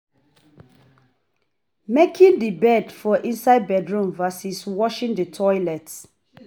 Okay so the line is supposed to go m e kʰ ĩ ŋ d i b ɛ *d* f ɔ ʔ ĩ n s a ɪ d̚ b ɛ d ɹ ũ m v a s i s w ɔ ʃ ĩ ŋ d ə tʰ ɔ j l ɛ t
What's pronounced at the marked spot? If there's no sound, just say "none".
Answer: d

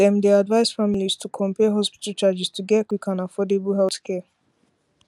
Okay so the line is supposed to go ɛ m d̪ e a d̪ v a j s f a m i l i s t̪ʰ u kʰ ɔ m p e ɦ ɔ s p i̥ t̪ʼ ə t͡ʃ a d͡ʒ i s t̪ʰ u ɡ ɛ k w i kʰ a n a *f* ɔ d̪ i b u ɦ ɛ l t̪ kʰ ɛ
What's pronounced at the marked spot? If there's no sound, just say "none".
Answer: f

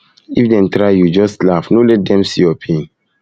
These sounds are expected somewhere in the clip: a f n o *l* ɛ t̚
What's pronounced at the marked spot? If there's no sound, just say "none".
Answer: l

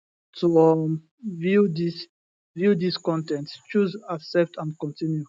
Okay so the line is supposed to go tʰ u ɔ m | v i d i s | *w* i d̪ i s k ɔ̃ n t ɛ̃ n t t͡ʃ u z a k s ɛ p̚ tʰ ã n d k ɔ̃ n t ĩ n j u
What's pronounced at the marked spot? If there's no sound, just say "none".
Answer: v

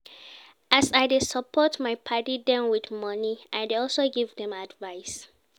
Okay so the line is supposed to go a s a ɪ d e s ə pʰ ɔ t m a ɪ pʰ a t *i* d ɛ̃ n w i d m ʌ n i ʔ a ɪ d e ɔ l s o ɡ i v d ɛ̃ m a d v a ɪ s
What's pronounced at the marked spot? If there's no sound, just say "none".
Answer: i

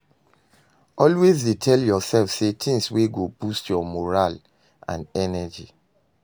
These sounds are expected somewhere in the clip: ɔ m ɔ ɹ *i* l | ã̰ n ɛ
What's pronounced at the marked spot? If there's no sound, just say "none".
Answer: a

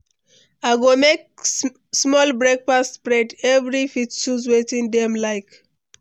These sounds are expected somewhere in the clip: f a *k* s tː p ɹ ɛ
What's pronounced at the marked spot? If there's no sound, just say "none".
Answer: none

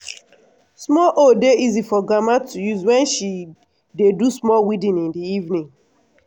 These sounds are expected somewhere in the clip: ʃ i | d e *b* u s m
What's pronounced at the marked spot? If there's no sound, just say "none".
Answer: d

